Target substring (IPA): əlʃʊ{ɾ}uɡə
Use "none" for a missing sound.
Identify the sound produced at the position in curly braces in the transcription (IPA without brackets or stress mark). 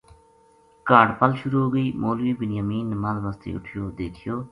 ɾ